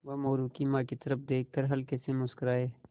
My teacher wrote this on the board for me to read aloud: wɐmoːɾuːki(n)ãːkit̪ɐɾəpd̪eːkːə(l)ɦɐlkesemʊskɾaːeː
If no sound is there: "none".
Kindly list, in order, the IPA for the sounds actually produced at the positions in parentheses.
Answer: m, ɾ

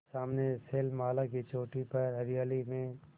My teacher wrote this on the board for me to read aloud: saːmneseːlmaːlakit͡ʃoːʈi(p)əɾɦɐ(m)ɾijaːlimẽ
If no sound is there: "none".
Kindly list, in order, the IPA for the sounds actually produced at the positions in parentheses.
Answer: p, none

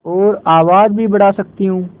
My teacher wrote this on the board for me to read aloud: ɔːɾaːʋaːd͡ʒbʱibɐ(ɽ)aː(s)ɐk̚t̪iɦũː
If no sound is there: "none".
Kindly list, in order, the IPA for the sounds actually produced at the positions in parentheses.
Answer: ɽ, s

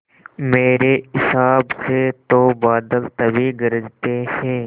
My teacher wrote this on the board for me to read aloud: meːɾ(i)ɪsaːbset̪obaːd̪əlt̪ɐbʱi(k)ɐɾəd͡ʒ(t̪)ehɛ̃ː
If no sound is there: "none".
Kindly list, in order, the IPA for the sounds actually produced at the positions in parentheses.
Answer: e, ɡ, t̪

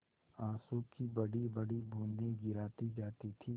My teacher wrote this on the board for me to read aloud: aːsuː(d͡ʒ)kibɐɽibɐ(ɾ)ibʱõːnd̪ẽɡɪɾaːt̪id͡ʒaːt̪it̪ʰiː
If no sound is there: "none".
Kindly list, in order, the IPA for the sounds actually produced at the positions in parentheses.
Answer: none, ɽ

